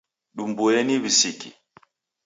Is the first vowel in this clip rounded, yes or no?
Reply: yes